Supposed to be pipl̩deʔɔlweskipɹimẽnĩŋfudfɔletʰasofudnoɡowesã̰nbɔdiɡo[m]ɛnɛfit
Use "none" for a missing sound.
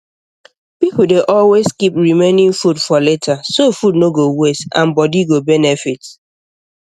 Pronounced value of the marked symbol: b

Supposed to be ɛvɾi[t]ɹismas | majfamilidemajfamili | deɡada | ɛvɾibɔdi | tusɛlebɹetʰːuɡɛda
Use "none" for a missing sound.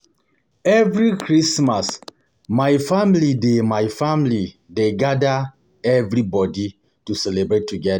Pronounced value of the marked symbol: k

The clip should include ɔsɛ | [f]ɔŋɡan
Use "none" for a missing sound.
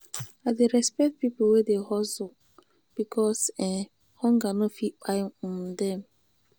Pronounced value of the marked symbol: h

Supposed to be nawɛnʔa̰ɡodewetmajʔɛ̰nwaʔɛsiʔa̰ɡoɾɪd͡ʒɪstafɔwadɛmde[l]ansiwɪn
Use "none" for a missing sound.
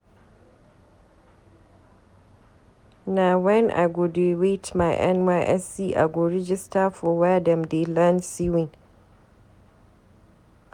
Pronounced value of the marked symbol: l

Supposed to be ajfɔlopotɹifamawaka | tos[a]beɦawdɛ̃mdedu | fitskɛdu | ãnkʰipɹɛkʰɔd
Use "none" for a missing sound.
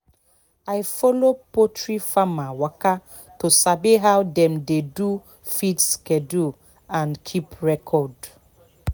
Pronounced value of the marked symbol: a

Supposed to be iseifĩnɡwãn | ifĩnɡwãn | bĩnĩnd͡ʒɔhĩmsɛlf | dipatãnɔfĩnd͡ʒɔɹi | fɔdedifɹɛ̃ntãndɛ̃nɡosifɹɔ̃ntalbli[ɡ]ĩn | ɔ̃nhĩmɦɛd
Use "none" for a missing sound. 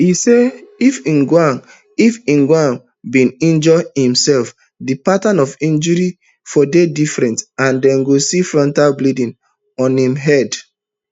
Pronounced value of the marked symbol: d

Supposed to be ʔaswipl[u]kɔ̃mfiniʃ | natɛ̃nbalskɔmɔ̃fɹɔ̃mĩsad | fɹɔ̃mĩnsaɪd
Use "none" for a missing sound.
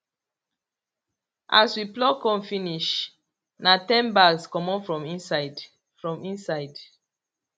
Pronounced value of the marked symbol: ɔ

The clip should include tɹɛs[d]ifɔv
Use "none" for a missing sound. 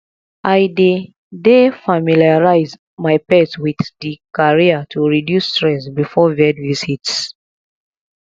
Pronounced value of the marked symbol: b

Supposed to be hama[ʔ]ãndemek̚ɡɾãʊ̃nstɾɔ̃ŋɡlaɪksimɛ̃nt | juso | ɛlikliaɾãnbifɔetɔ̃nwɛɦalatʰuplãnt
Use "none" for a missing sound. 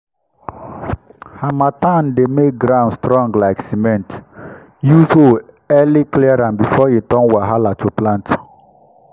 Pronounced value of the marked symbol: t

